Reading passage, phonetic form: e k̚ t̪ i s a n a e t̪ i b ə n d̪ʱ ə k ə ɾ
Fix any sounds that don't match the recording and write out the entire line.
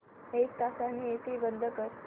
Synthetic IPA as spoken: e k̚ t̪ a s a n i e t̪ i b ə n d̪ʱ ə k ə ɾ

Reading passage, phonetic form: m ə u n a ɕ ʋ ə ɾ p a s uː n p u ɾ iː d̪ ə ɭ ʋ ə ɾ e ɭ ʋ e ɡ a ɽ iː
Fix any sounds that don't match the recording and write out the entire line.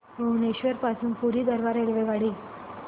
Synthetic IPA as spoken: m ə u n e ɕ ʋ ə ɾ p a s uː n p u ɾ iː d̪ ə ɾ ʋ a ɾ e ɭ ʋ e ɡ a ɽ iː

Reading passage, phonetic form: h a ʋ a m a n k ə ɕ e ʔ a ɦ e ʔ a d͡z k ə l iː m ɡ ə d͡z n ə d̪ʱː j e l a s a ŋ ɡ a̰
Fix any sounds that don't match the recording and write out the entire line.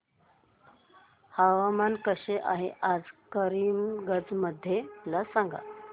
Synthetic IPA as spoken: h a ʋ a m a n k ə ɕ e ʔ a ɦ e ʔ a d͡z k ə ɾ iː m ɡ ə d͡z m ə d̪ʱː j e l a s a ŋ ɡ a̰

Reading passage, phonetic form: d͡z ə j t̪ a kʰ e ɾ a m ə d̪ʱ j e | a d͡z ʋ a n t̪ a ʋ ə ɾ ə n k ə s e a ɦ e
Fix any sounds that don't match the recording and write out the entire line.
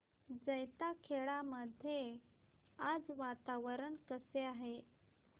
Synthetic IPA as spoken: d͡z ə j t̪ a kʰ e ɭ a m ə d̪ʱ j e | a d͡z ʋ a t̪ a ʋ ə ɾ ə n k ə s e a ɦ e

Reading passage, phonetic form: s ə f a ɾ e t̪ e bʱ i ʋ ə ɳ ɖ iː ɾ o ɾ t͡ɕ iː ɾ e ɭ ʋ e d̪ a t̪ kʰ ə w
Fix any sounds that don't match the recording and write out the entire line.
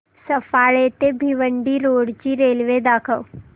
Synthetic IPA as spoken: s ə f a ɭ e t̪ e bʱ i ʋ ə ɳ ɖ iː ɾ o ɽ t͡ɕ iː ɾ e l ʋ e d̪ a kʰ ə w

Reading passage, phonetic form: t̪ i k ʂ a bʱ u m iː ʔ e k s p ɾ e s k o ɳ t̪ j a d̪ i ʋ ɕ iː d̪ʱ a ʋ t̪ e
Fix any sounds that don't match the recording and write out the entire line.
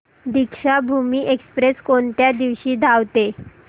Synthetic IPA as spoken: d̪ i k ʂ a bʱ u m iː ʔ e k s p ɾ e s k o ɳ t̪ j a d̪ i ʋ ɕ iː d̪ʱ a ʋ t̪ e

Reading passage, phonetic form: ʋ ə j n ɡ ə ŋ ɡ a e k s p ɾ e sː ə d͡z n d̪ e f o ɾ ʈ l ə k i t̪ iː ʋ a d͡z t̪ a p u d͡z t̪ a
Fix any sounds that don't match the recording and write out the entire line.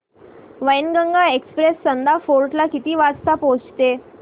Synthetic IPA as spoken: ʋ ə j n ɡ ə ŋ ɡ a e k s p ɾ e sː ə n d̪ a f o ɾ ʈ l a k i t̪ iː ʋ a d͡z t̪ a p o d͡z t̪ e

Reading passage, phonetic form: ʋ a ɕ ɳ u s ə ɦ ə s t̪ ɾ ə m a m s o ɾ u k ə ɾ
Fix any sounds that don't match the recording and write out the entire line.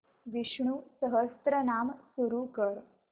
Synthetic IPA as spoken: ʋ i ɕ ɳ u s ə ɦ ə s t̪ ɾ ə n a m s u ɾ u k ə ɾ

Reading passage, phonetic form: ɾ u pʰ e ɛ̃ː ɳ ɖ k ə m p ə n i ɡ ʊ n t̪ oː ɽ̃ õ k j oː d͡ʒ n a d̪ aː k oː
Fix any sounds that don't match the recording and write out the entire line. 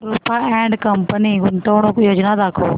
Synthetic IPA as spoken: ɾ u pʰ a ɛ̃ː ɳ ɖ k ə m p ə n i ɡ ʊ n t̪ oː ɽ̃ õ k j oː d͡ʒ n a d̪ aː kʰ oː

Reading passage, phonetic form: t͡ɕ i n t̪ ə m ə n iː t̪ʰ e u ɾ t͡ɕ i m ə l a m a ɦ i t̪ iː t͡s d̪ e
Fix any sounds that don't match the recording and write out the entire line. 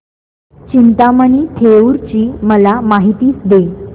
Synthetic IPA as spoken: t͡ɕ i n t̪ a m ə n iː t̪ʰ e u ɾ t͡ɕ iː m ə l a m a ɦ i t̪ iː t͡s d̪ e

